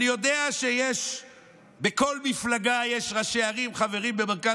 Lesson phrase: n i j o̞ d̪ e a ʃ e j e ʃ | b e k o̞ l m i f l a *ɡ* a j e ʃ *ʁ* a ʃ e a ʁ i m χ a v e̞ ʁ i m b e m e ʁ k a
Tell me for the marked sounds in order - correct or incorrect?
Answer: correct, correct

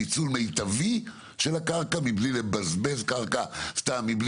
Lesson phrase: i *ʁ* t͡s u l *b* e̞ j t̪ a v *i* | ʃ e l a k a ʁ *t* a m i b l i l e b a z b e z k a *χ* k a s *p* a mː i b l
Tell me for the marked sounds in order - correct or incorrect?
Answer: incorrect: none, incorrect: m, correct, incorrect: k, incorrect: ʁ, incorrect: t

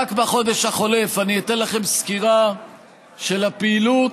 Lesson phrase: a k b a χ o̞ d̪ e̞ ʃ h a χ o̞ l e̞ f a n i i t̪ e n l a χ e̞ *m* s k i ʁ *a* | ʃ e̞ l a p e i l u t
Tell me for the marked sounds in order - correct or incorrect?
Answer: correct, correct

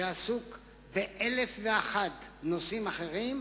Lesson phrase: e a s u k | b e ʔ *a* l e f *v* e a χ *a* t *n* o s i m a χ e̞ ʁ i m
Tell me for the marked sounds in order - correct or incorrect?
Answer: incorrect: e, correct, correct, correct

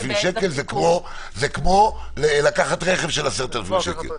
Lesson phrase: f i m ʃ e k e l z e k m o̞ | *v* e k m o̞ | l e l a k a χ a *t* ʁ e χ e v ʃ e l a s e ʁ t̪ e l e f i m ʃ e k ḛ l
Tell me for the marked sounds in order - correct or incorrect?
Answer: incorrect: z, correct

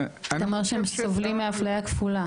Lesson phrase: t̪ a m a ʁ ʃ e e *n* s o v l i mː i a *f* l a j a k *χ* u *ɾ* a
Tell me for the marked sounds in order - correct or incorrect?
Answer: incorrect: m, correct, incorrect: f, incorrect: l

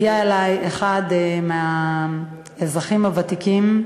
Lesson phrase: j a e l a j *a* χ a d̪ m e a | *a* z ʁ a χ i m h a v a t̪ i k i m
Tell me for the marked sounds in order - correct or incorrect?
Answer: incorrect: e, incorrect: e

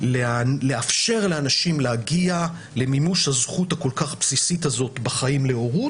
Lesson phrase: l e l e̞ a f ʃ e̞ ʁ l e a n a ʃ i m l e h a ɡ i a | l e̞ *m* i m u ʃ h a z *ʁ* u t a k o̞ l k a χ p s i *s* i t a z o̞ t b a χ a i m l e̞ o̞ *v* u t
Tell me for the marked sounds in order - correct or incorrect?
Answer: correct, incorrect: χ, correct, incorrect: ʁ

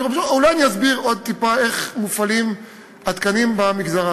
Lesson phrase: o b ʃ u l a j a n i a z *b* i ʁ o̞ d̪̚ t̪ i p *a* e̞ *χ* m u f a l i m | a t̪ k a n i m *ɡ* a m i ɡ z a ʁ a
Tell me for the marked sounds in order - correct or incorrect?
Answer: correct, correct, correct, incorrect: b

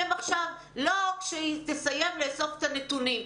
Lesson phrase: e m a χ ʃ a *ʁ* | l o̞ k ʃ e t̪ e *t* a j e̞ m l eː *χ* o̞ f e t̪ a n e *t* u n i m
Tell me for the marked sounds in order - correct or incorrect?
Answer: incorrect: v, incorrect: s, incorrect: s, correct

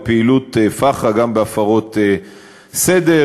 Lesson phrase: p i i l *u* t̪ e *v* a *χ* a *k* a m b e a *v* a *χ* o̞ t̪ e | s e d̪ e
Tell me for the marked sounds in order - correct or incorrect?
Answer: correct, incorrect: f, correct, incorrect: ɡ, incorrect: f, incorrect: ʁ

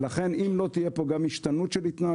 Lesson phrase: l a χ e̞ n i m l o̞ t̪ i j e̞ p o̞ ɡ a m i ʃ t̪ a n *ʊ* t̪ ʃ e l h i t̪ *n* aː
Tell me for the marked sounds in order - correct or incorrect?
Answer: incorrect: u, correct

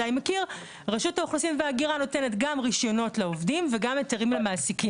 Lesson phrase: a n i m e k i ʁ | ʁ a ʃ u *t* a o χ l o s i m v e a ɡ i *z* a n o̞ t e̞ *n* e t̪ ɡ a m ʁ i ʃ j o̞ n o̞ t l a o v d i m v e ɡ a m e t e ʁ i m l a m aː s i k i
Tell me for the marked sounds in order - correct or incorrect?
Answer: correct, incorrect: ʁ, correct

